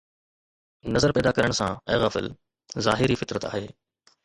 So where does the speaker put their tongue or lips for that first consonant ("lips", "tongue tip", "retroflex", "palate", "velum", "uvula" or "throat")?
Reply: tongue tip